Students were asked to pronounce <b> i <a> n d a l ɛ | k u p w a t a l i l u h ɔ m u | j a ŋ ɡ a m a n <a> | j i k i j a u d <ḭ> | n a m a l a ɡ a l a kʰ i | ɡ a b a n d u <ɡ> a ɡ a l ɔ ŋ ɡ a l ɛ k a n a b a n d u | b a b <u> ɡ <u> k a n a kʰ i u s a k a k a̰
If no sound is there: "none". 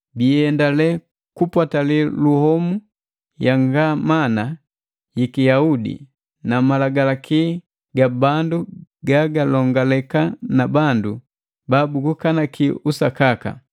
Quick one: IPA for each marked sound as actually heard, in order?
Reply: b, ɛ, a, ḭ, ɡ, u, u

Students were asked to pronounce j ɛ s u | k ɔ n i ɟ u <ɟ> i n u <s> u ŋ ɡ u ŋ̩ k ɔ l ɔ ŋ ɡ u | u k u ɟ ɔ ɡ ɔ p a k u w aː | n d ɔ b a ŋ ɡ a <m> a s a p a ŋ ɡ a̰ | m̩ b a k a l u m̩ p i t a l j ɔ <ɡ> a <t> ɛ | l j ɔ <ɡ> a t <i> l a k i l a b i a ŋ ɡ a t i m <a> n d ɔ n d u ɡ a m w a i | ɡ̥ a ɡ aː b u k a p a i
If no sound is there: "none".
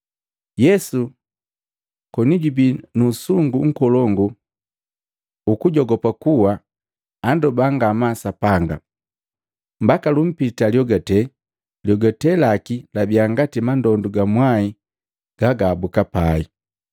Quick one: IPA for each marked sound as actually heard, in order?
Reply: b, s, m, ɡ, t, ɡ, ɛ, a

